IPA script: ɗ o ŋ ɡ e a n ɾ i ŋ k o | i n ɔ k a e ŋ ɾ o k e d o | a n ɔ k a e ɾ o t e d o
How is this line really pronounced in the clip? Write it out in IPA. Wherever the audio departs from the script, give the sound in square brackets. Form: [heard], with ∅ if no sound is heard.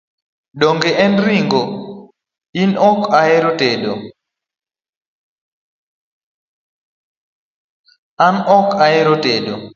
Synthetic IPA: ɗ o ŋ ɡ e [ɛ] n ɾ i ŋ [ɡ] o | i n ɔ k a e [∅] ɾ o [t] e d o | a n ɔ k a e ɾ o t e d o